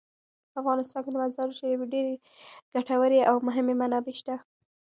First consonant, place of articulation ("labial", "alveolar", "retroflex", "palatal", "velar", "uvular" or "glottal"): labial